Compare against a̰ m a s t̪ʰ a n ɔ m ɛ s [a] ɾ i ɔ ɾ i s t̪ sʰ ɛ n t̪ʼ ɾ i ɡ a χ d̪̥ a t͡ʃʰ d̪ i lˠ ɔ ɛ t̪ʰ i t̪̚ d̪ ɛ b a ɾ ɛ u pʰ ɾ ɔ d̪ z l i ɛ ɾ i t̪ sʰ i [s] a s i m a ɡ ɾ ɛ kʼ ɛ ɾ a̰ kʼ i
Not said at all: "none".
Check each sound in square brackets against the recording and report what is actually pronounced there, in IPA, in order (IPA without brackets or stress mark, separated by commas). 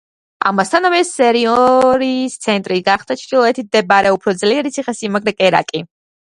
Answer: ɛ, χ